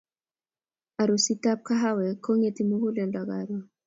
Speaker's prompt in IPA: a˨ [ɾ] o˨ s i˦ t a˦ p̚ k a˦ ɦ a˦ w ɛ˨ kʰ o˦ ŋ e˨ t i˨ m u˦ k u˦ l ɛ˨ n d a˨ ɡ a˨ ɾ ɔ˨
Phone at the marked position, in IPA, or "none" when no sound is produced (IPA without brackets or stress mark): ɾ